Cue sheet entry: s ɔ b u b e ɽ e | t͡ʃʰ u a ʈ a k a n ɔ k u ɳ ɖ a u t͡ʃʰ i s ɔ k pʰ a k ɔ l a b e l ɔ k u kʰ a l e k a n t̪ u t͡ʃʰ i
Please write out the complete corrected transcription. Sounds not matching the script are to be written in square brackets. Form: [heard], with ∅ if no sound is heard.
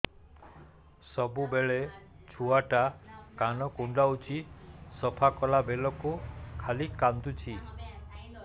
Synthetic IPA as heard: s ɔ b u b e [ɭ] e | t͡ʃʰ u a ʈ a k a n ɔ k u ɳ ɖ a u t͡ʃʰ i s ɔ [∅] pʰ a k ɔ l a b e l ɔ k u kʰ a l [i] k a n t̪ u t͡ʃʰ i